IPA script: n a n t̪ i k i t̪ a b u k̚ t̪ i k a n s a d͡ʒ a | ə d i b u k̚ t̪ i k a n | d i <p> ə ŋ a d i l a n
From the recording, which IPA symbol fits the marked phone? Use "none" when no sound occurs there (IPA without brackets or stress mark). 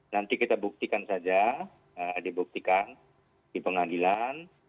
p